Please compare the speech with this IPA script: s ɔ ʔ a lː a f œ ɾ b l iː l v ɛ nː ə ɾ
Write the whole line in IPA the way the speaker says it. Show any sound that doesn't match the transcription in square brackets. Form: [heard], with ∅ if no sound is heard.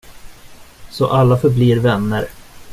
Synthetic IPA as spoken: s ɔ ʔ a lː a f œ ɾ b l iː [ɾ] v ɛ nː ə ɾ